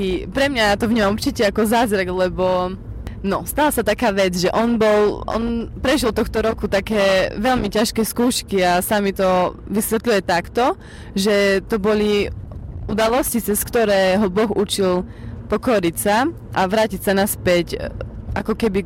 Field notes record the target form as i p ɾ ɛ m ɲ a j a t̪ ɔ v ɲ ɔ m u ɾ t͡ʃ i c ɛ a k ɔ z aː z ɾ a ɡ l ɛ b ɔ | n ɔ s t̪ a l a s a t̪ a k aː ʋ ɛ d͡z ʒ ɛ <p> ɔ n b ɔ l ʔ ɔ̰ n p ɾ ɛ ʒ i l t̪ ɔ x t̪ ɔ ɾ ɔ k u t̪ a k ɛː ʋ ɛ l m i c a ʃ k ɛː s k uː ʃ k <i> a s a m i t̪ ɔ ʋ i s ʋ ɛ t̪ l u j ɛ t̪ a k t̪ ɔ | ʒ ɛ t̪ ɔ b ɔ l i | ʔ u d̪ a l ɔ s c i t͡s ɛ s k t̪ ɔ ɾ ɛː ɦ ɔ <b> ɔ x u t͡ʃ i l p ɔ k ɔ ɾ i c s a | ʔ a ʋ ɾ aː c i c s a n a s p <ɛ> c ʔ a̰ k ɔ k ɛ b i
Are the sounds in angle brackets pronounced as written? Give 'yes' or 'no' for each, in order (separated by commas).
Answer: no, yes, yes, yes